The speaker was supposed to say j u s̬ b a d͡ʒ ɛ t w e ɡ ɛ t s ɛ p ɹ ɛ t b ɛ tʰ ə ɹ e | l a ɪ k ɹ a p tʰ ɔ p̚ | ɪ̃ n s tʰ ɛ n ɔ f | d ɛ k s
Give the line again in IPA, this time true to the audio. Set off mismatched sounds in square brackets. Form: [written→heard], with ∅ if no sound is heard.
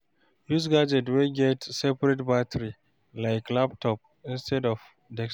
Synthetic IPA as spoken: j u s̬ [b→ɡ] a d͡ʒ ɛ t w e ɡ ɛ t s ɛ p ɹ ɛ t b [ɛ→a] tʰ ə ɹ [e→i] | l a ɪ k [ɹ→l] a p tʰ ɔ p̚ | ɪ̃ n s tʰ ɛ [n→d] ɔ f | d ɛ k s

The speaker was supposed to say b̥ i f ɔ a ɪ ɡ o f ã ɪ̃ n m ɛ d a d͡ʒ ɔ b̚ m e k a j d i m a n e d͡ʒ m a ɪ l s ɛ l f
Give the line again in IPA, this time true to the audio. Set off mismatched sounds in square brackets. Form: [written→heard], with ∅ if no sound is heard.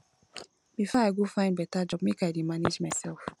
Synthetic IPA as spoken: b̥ i f ɔ a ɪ ɡ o f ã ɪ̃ n [m→b] ɛ [d→t] a d͡ʒ ɔ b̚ m e k a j d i m a n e d͡ʒ m a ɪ [l→∅] s ɛ l f

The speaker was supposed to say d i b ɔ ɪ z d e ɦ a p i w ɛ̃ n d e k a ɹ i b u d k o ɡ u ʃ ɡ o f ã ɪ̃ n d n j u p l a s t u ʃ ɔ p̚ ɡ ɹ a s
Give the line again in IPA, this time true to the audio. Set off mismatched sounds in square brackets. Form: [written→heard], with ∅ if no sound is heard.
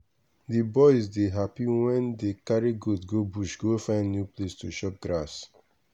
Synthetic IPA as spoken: d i b ɔ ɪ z d e ɦ a p i w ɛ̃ n d e k a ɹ i [b→ɡ] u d [k→ɡ] o [ɡ→b] u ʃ ɡ o f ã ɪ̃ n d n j u p l [a→e] s t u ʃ ɔ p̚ ɡ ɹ a s

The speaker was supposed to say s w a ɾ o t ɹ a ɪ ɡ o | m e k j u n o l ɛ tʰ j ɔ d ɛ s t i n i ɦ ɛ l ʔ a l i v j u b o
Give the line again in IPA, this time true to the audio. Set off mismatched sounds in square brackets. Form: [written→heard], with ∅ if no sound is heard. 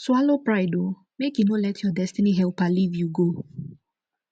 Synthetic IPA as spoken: s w a [ɾ→l] o [t→p] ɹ a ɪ [ɡ→d] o | m e k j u n o l ɛ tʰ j ɔ d ɛ s t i n i ɦ ɛ l [ʔ→p] a l i v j u [b→ɡ] o

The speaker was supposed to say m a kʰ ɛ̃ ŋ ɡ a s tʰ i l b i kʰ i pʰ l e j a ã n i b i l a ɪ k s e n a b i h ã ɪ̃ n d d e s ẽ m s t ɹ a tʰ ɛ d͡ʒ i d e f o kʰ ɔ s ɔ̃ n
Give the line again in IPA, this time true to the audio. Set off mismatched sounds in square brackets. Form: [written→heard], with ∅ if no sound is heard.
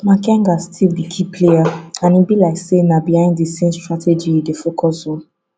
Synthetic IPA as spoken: m a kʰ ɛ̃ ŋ ɡ a s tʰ i l b i kʰ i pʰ l e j a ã n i b i l a ɪ k s e n a b i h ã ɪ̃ n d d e s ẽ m s t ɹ a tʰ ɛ d͡ʒ i d e f o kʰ ɔ s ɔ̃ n

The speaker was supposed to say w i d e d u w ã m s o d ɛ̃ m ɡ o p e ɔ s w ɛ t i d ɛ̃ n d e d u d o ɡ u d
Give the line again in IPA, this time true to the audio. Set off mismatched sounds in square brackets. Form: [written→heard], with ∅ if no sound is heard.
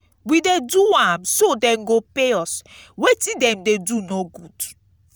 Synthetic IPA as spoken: w i d e d u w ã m s o d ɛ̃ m ɡ o p e ɔ s w [ɛ→e] t i d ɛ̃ [n→m] d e d u [d→n] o ɡ u d

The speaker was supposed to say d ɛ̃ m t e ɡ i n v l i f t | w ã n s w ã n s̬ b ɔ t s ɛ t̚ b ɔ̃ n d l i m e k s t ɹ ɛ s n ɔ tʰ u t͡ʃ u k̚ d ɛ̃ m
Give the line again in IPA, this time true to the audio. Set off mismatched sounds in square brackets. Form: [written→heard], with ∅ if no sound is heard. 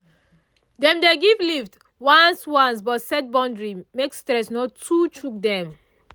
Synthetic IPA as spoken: d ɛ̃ m [t→d] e ɡ i [n→∅] v l i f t | w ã n s w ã n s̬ b ɔ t s ɛ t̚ b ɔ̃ n d [l→ɹ] i m e k s t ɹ ɛ s n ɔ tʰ u t͡ʃ u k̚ d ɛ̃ m

